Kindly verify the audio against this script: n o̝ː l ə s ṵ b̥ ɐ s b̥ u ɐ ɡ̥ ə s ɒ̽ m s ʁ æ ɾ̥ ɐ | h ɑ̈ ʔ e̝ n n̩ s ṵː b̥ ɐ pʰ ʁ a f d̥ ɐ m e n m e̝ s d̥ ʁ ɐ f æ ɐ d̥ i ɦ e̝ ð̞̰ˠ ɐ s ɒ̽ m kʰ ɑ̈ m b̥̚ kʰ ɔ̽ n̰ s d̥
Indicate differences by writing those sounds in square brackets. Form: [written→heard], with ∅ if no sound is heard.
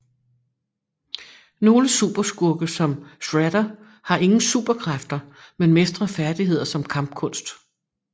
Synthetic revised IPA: n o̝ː l ə s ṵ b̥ ɐ s [b̥→ɡ̥] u ɐ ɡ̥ ə s ɒ̽ m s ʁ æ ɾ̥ ɐ | h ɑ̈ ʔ e̝ [n→ŋ] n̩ s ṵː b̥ ɐ [pʰ→kʰ] ʁ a f d̥ ɐ m e n m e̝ s d̥ ʁ ɐ f æ ɐ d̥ i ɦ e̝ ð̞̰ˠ ɐ s ɒ̽ m kʰ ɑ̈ m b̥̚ kʰ ɔ̽ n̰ s d̥